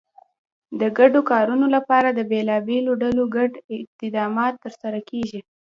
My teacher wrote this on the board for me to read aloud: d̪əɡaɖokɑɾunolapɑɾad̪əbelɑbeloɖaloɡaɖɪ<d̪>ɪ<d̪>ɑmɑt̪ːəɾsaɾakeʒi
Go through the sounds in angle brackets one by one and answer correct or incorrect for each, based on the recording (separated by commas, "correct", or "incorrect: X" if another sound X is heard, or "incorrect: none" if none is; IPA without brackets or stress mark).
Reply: incorrect: t̪, correct